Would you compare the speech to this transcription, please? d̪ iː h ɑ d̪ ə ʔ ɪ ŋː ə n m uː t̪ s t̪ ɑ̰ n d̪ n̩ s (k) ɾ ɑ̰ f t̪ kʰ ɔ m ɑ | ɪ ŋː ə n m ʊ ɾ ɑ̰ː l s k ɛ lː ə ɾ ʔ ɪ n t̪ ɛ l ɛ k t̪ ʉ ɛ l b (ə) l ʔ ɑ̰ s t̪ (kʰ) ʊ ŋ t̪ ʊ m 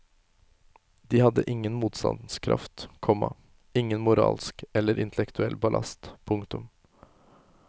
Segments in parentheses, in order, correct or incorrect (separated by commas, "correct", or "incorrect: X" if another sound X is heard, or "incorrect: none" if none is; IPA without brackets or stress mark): incorrect: kʰ, incorrect: ɑ, incorrect: pʰ